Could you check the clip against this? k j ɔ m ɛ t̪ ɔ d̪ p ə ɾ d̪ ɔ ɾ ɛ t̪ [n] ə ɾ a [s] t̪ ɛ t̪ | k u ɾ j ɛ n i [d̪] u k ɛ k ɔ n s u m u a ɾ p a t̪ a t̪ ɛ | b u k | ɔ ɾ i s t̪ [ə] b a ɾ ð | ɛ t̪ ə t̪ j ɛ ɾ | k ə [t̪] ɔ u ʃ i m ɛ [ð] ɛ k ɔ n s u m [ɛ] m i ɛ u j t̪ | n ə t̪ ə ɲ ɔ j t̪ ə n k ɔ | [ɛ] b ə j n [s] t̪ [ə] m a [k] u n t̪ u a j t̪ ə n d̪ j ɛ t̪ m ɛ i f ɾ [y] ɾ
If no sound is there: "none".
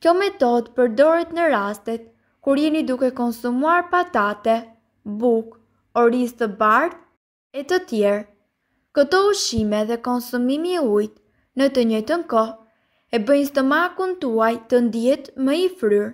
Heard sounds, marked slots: n, s, d̪, ə, t̪, ð, i, ɛ, s, ə, k, y

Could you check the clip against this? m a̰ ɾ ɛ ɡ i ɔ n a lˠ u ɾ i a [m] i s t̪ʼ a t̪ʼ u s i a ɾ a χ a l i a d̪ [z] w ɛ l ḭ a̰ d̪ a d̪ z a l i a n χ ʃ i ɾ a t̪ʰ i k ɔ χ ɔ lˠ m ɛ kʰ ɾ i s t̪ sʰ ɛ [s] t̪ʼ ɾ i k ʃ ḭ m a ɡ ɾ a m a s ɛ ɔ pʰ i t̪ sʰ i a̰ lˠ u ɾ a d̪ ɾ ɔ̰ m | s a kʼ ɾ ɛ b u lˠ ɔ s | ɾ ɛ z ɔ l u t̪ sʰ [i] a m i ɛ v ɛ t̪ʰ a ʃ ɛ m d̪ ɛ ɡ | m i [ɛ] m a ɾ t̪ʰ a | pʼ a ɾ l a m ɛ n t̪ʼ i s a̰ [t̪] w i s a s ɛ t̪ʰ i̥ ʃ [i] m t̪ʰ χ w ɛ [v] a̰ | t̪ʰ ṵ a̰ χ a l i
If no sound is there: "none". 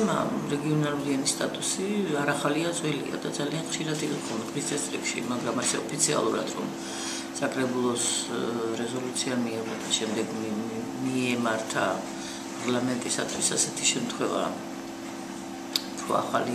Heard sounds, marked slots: n, z, s, i, ɛ, t̪ʰ, ɛ, v

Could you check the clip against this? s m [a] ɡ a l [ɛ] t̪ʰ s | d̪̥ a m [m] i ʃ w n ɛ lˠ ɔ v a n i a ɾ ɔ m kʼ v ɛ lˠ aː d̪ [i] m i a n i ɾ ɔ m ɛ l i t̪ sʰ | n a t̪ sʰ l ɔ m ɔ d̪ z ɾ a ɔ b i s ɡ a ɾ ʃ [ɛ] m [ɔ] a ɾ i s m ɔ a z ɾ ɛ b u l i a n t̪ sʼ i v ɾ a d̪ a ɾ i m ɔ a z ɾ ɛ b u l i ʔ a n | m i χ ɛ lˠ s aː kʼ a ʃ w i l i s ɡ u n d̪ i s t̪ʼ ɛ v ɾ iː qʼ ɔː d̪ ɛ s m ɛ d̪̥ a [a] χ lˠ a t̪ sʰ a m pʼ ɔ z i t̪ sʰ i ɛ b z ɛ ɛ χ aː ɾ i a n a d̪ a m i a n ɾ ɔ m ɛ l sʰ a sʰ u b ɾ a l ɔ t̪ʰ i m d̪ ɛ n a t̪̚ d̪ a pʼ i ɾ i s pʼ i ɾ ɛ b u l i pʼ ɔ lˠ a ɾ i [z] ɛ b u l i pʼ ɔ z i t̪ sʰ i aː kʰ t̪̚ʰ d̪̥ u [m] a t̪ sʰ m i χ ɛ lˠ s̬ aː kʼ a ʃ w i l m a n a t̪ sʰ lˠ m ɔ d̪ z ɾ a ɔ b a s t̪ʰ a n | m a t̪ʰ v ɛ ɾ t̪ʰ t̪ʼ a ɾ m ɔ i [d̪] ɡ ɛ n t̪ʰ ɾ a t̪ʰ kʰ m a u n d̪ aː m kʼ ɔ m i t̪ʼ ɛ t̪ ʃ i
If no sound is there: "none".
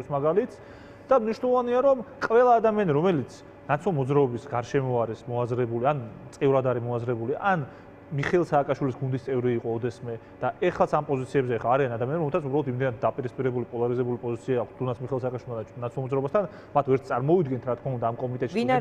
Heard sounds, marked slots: a, i, n, a, ɛ, ɔ, ɛ, z, n, d̪

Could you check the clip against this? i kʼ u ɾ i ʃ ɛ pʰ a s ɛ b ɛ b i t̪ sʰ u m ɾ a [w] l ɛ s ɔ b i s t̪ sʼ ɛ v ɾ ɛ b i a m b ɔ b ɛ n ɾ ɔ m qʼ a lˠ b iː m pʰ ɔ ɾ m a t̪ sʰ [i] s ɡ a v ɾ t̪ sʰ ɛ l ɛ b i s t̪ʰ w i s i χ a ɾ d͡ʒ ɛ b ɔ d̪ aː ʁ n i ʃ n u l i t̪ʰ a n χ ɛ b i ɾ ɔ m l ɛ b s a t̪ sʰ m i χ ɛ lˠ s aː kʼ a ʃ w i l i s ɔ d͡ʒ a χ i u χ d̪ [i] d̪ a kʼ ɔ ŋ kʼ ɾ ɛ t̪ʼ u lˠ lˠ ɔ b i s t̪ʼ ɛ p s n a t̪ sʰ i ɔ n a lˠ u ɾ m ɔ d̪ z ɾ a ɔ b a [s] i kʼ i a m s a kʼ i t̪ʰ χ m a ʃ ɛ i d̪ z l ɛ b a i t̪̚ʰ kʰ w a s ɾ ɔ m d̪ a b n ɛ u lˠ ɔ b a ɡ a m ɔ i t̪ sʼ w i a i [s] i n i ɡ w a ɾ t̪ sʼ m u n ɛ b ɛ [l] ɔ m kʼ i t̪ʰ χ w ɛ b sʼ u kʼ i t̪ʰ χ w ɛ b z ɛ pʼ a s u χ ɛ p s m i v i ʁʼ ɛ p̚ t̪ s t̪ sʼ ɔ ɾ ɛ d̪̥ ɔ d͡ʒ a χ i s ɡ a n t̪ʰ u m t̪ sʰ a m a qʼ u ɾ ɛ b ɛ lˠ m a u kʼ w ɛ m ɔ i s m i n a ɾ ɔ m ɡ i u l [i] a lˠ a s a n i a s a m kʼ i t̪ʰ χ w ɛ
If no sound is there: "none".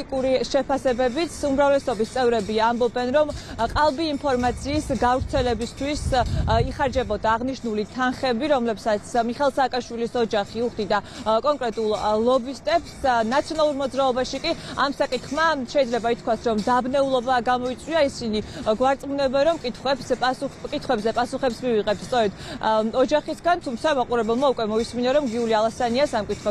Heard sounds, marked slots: v, iː, i, ʃ, s, ɾ, i

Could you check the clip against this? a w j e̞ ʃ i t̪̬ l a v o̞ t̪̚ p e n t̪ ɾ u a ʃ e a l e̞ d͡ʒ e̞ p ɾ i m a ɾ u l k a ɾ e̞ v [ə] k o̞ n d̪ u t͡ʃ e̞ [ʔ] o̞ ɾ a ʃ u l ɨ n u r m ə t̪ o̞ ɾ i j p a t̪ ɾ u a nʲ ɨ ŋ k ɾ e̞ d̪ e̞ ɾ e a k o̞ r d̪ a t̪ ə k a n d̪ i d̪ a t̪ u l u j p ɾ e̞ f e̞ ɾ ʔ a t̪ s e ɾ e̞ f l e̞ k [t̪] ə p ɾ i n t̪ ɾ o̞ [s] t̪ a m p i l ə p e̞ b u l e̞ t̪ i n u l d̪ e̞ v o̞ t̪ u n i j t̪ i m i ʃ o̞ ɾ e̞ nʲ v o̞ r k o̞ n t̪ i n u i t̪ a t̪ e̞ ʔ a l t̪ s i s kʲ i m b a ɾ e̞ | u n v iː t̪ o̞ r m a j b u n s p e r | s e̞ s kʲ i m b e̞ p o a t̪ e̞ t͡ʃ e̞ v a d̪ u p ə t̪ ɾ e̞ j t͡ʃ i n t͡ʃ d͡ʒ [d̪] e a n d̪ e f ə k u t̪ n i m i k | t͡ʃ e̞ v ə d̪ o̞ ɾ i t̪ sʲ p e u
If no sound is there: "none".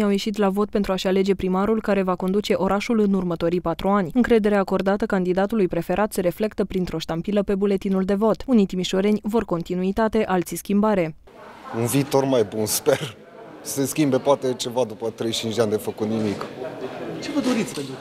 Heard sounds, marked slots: a, ʔ, t̪, ʃ, d̪

